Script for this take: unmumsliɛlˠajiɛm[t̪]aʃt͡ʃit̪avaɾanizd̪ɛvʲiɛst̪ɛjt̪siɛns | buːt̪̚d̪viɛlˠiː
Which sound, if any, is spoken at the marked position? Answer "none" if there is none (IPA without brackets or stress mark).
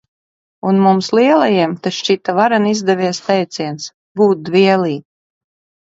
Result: t̪